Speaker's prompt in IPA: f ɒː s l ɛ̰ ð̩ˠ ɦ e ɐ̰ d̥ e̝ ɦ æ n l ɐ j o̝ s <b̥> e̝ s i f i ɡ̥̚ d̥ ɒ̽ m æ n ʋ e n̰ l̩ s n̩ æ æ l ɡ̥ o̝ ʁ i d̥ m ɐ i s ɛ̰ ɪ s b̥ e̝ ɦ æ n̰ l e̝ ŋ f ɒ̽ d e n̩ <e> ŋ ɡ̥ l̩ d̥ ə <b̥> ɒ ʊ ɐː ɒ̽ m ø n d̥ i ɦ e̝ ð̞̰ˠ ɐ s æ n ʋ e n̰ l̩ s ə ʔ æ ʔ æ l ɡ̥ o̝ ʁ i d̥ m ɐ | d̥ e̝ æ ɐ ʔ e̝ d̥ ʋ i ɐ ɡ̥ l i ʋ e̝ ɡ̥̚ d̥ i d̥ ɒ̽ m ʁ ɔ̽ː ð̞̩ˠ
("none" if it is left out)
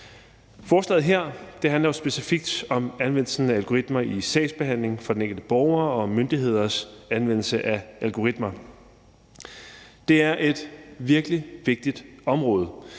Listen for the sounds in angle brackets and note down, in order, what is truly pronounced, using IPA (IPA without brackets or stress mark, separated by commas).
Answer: b̥, e, b̥